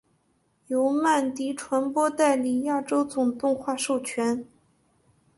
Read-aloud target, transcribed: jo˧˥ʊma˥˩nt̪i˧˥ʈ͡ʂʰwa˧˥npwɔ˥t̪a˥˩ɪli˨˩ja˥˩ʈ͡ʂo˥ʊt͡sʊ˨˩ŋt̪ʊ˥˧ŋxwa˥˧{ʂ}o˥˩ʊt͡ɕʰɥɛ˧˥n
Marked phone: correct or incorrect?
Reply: correct